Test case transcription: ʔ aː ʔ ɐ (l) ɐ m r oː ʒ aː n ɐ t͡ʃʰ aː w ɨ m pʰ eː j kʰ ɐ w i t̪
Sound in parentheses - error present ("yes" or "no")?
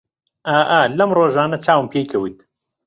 no